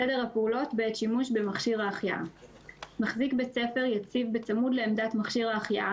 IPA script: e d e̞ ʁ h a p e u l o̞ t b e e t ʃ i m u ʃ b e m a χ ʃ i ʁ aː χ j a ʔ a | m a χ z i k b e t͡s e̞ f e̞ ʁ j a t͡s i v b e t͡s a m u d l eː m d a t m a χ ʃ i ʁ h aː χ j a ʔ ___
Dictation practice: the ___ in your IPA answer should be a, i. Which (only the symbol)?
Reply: a